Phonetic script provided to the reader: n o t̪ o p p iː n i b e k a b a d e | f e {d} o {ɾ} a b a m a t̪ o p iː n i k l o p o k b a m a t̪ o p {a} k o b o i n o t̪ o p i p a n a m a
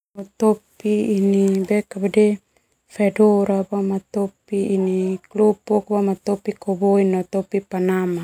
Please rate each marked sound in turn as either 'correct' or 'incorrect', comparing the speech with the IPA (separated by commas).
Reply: correct, correct, incorrect